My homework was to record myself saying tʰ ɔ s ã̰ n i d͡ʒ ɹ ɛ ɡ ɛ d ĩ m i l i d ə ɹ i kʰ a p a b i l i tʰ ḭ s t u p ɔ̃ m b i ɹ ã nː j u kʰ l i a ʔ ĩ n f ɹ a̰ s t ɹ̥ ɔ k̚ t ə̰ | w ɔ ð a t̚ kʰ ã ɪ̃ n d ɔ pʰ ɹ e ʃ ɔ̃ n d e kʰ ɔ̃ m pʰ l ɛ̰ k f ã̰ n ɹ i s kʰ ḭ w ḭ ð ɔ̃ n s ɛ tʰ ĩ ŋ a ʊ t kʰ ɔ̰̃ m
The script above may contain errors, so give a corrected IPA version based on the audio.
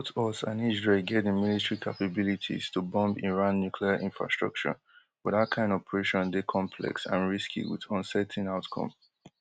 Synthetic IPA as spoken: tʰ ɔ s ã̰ n i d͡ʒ ɹ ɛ ɡ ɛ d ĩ m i l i t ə ɹ i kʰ a p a b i l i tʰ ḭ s t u b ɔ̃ m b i ɹ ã nː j u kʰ l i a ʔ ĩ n f ɹ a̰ s t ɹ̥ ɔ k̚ t͡ʃ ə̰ | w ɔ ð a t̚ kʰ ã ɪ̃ n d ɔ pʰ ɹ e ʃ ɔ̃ n d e kʰ ɔ̃ m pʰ l ɛ̰ k s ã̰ n ɹ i s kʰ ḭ w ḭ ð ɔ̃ n s ɛ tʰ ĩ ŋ a ʊ t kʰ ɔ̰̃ m